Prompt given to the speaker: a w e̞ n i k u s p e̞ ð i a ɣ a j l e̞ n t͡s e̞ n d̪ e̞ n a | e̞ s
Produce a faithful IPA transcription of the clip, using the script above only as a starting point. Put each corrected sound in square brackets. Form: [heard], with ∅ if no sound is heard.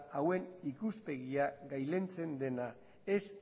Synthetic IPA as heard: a w e̞ n i k u s p e̞ [ɣ] i a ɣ a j l e̞ n t͡s e̞ n d̪ e̞ n a | e̞ s